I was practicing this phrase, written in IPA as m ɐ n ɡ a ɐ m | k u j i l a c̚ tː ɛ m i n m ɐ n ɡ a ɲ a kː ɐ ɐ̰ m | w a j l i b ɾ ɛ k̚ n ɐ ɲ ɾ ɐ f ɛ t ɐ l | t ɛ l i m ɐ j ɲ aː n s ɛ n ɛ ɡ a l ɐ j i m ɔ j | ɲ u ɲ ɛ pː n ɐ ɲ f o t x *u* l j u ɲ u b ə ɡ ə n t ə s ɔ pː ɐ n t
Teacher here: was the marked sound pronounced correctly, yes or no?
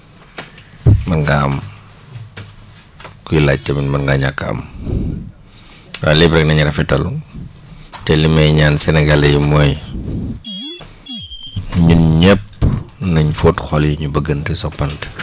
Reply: no